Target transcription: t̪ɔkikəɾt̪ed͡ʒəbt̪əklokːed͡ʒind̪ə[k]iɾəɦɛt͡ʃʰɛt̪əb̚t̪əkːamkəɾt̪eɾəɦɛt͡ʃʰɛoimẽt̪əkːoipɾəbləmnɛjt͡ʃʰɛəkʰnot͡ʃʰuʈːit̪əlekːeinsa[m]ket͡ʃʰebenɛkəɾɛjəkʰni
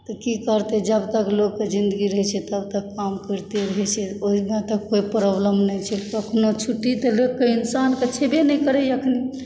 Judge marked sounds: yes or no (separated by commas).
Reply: no, no